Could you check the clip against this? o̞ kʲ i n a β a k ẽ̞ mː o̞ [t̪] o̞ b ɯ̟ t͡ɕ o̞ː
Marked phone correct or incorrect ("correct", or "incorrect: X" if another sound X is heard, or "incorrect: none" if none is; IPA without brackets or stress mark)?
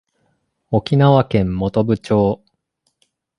correct